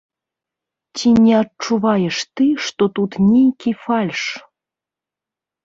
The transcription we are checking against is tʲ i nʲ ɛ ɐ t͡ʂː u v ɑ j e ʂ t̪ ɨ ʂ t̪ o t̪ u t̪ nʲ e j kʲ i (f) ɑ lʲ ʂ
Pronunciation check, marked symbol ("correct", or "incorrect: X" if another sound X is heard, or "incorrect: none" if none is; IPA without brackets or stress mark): correct